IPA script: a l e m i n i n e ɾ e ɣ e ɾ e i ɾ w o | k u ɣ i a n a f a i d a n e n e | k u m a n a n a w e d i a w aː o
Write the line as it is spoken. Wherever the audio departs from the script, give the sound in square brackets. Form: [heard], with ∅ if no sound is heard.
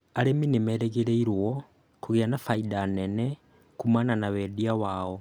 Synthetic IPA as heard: a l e m i n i [m] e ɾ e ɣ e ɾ e i ɾ w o | k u ɣ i a n a f a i d a n e n e | k u m a n a n a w e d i a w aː o